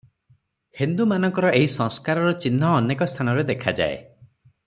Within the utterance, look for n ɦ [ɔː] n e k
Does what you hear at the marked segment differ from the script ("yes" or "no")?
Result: no